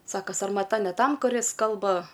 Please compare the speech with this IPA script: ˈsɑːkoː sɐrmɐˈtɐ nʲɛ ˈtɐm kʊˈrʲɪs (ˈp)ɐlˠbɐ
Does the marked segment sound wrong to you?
yes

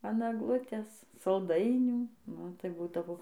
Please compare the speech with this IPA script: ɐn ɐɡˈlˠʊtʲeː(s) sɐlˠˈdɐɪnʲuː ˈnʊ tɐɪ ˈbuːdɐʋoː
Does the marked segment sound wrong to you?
no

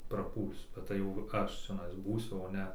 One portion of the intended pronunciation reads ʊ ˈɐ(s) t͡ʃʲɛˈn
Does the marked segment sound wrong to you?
yes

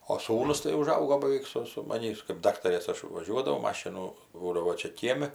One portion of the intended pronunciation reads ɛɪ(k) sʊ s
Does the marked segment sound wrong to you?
no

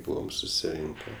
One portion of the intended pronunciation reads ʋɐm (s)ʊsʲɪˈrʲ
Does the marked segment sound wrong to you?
no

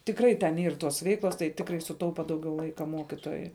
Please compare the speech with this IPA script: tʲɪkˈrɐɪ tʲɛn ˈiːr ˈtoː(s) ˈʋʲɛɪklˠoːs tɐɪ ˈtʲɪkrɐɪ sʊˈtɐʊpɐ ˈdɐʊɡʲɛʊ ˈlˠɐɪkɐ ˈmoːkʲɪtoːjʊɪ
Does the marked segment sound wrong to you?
no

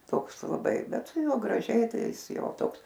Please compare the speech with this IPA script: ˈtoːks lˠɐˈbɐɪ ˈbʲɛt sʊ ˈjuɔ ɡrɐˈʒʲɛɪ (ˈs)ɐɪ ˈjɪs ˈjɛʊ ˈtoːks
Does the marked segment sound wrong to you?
yes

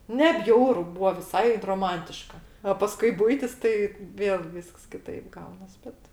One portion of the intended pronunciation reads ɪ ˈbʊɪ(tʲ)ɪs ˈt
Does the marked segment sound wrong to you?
no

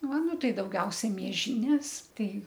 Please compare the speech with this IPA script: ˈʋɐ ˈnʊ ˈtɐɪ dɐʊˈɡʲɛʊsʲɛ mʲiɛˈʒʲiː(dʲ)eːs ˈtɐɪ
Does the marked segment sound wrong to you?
yes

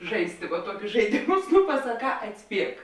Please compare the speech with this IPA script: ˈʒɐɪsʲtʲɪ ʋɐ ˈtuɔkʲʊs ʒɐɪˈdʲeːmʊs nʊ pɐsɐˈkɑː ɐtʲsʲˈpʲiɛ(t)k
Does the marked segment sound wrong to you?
yes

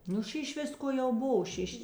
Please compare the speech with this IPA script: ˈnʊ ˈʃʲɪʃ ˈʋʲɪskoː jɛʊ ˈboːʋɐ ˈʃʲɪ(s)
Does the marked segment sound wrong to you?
yes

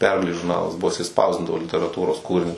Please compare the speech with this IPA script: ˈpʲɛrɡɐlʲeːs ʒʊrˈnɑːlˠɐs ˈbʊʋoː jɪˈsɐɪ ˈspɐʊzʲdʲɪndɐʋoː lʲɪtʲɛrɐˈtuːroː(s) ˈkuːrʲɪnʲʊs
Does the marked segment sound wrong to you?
no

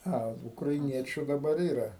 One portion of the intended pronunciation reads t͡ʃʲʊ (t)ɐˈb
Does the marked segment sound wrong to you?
yes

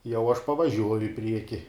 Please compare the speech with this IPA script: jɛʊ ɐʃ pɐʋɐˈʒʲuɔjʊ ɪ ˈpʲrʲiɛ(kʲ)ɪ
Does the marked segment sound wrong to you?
no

